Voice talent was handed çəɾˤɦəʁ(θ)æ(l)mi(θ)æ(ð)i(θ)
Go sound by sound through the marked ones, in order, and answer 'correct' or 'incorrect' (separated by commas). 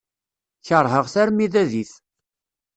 correct, incorrect, incorrect, correct, correct